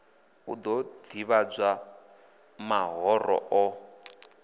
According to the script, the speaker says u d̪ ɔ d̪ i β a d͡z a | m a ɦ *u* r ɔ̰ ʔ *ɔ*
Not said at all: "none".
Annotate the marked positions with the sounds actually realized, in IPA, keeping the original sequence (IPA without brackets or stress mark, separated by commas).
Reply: ɔ, ɔ